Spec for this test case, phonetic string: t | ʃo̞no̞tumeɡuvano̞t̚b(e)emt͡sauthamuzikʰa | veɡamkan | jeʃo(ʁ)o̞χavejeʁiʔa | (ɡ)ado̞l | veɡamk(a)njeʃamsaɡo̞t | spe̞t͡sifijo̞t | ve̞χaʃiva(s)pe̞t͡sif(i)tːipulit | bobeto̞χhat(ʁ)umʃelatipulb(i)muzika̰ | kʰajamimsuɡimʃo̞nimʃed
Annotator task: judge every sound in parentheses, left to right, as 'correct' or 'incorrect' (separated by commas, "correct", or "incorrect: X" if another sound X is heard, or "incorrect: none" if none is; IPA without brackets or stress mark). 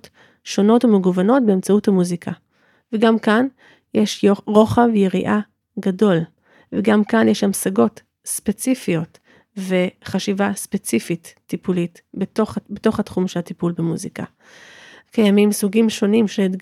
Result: correct, correct, correct, correct, correct, correct, incorrect: χ, incorrect: e